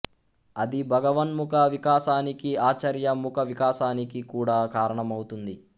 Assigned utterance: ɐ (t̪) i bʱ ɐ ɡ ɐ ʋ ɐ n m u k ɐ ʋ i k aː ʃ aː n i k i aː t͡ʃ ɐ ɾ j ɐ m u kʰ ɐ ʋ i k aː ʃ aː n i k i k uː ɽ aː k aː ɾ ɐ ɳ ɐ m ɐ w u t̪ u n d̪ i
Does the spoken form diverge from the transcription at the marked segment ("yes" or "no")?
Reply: yes